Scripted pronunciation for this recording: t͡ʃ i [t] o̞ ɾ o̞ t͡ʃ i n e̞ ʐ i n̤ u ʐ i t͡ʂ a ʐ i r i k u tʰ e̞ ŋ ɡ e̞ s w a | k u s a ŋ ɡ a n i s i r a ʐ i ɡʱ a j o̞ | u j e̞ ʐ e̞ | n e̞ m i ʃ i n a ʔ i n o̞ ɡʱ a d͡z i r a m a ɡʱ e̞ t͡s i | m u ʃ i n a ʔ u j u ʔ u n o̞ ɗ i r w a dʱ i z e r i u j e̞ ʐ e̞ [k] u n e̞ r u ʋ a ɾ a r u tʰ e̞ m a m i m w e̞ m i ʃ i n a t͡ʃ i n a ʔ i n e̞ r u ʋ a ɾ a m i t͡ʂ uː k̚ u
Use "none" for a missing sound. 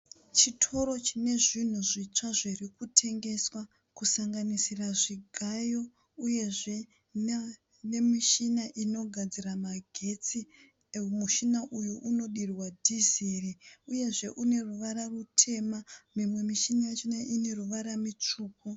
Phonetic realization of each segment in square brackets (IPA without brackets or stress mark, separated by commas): tʰ, ʔ